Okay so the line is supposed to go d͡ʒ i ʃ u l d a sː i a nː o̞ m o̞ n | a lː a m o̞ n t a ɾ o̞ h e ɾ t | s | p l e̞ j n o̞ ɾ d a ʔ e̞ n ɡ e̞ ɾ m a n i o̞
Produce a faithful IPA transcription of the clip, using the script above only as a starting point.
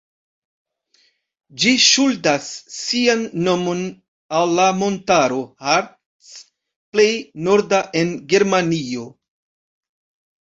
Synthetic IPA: d͡ʒ i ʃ u l d a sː i a nː o̞ m o̞ n | a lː a m o̞ n t a ɾ o̞ h a ɾ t | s | p l e̞ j n o̞ ɾ d a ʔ e̞ n ɡ e̞ ɾ m a n i o̞